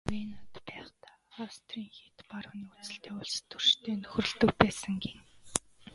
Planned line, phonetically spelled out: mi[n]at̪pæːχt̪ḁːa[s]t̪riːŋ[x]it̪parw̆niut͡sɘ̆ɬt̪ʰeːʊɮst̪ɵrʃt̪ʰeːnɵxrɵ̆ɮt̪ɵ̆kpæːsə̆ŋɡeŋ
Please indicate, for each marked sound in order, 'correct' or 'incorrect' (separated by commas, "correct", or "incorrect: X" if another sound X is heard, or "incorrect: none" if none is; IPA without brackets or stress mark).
correct, correct, correct